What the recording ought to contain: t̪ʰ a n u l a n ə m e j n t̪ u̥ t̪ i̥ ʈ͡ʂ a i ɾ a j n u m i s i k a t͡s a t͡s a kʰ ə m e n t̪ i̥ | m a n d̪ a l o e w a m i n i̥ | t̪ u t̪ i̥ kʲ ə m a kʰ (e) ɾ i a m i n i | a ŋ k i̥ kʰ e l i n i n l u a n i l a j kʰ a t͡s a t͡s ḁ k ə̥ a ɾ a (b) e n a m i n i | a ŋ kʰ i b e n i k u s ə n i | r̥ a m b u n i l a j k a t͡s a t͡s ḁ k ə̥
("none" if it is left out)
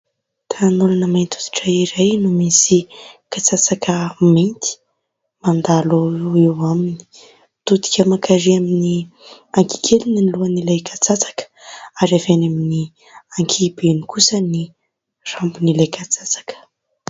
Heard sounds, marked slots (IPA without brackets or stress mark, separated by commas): a, v